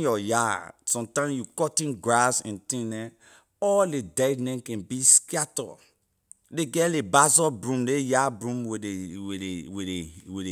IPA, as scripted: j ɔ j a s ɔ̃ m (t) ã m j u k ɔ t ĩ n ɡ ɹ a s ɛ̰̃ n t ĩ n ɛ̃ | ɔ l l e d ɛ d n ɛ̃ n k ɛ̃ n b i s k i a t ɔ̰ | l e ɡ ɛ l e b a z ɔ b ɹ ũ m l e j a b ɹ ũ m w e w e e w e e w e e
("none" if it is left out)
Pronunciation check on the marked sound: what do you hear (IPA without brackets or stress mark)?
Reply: t